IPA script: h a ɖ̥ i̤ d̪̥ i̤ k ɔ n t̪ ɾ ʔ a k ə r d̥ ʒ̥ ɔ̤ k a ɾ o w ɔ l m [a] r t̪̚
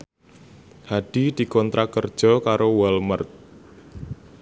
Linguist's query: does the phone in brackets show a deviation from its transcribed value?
yes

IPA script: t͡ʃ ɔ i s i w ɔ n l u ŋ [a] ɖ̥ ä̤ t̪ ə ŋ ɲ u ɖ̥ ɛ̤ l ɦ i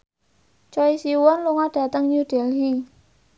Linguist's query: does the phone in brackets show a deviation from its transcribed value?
no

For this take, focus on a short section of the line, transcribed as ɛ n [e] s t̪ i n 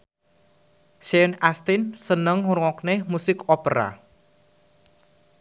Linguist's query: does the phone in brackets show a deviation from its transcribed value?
yes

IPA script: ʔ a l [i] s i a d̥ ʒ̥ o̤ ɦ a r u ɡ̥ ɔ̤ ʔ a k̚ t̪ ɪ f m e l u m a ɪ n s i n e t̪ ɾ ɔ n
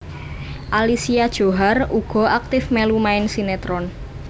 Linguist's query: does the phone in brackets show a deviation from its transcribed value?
no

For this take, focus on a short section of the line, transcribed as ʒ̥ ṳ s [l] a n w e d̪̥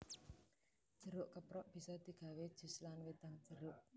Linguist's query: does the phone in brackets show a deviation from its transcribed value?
no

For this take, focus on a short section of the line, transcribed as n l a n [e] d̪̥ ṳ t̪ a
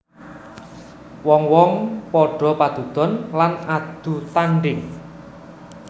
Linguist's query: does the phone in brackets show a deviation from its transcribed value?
yes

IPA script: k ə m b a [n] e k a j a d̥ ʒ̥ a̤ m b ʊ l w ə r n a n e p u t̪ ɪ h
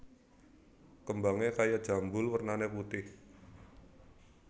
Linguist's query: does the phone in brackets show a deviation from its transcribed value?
yes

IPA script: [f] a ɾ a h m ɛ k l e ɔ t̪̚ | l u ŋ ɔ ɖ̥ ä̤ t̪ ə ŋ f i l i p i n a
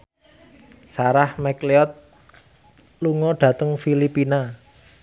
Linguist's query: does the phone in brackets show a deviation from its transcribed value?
yes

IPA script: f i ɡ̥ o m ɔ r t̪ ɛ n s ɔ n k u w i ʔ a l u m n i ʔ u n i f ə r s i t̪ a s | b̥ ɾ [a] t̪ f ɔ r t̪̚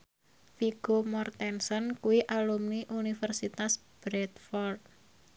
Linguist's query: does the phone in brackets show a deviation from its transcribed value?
yes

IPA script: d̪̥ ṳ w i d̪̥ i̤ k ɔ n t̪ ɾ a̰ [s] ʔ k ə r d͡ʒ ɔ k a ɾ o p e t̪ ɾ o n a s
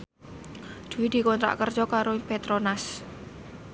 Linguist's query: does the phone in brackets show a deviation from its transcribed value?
yes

